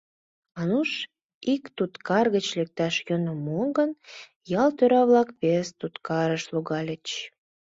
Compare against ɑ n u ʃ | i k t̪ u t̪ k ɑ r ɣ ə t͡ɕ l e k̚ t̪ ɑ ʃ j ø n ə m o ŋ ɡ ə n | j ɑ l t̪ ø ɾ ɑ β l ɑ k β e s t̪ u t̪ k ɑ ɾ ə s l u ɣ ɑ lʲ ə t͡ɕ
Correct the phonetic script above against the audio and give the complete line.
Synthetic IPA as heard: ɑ n u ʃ | i k t̪ u t̪ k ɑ r ɣ ə t͡ɕ l e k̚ t̪ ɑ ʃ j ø n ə m o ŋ ɡ ə n | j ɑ l t̪ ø ɾ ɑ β l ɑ k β e s t̪ u t̪ k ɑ ɾ ə ʃ l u ɣ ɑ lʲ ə t͡ɕ